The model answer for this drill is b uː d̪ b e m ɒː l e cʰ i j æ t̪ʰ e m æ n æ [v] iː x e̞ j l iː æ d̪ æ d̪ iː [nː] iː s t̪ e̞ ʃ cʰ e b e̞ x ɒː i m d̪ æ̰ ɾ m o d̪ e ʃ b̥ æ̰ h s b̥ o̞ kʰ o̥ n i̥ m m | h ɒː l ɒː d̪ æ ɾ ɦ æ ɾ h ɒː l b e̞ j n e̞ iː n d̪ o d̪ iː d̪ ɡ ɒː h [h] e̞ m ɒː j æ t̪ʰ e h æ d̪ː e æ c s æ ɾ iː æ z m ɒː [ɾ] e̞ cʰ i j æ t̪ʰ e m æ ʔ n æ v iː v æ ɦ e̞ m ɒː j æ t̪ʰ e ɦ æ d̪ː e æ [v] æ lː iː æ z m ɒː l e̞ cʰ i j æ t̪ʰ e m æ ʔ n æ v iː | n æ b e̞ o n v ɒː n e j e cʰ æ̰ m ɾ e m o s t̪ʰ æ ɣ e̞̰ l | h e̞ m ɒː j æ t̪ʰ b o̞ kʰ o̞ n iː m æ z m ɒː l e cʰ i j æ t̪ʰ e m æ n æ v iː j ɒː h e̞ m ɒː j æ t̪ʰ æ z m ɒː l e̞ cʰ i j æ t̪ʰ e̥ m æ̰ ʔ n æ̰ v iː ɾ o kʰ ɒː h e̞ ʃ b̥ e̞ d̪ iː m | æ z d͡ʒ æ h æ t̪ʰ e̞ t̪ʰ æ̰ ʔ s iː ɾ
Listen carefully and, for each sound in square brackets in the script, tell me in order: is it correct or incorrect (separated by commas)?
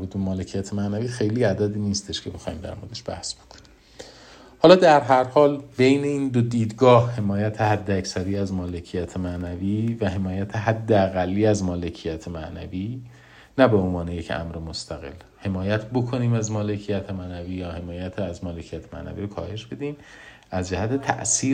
correct, incorrect, correct, incorrect, incorrect